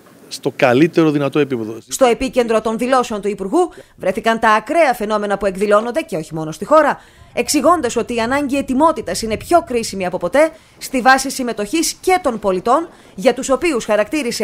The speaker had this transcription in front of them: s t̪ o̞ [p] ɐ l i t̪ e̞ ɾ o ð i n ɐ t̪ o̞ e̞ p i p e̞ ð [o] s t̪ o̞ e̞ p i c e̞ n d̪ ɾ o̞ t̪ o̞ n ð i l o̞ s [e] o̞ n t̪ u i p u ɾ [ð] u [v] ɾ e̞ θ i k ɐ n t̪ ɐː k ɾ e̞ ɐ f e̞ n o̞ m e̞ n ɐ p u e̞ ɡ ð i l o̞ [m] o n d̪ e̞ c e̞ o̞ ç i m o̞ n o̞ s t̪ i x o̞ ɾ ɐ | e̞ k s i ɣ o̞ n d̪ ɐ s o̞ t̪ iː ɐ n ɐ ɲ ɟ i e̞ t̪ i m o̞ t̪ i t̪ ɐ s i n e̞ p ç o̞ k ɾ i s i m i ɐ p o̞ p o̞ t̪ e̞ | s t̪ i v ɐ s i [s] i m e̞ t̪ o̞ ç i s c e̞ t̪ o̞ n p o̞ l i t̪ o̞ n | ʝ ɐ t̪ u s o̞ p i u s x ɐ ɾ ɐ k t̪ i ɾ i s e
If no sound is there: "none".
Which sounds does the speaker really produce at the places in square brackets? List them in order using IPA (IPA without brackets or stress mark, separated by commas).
k, o, e, ɣ, v, n, s